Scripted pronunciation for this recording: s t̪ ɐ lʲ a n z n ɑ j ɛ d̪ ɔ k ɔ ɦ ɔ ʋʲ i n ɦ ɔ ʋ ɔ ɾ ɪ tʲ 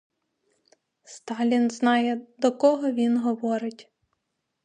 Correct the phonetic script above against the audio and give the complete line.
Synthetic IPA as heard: s t̪ ɑ lʲ i n z n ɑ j ɛ d̪ ɔ k ɔ ɦ ɔ ʋʲ i n ɦ ɔ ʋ ɔ ɾ ɪ tʲ